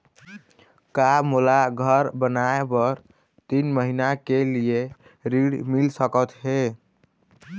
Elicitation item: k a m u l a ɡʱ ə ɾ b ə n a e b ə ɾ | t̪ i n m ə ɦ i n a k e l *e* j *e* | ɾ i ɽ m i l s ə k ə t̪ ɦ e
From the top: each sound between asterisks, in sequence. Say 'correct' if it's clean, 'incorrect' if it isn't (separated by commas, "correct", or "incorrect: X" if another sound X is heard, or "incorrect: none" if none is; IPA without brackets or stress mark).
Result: incorrect: i, correct